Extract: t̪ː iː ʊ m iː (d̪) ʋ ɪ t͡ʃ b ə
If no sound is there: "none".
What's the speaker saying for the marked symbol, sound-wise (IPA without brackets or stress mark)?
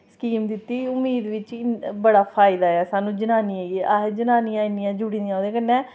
d̪